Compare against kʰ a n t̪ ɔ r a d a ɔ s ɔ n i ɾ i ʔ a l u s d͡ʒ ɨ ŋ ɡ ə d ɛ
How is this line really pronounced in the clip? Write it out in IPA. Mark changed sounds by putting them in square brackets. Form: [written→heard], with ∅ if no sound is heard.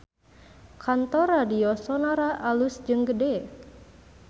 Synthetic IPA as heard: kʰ a n t̪ ɔ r a d [a→i] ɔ s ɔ n [i→a] ɾ [i→a] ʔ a l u s d͡ʒ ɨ ŋ ɡ ə d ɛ